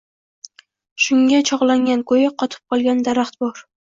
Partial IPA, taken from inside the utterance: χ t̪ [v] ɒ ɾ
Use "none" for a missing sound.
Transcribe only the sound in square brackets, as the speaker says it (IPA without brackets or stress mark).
b